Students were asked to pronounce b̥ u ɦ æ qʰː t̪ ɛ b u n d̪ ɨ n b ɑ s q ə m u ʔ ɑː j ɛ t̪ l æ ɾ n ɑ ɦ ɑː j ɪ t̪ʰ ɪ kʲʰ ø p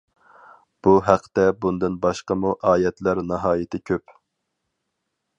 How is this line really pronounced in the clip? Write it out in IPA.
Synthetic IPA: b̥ u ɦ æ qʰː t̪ ɛ b u n d̪ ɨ n b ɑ ʃ q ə m u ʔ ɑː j ɛ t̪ l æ ɾ n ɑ ɦ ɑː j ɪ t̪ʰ ɪ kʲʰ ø p